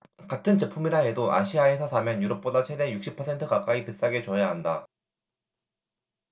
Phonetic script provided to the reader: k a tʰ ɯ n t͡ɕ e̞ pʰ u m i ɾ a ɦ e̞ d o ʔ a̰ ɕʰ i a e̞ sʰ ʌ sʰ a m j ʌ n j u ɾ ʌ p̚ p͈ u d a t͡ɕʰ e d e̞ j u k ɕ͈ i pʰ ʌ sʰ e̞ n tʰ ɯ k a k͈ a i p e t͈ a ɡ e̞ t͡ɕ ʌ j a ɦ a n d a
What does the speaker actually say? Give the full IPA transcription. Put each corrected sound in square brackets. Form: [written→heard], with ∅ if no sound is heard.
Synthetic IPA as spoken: k a tʰ ɯ n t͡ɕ e̞ pʰ u m i ɾ a ɦ e̞ d o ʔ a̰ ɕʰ i a e̞ sʰ ʌ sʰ a m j ʌ n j u ɾ ʌ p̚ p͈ [u→o] d a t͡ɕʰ e d e̞ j u k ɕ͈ i pʰ ʌ sʰ e̞ n tʰ ɯ k a k͈ a i p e [t͈→s͈] a ɡ e̞ t͡ɕ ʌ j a ɦ a n d a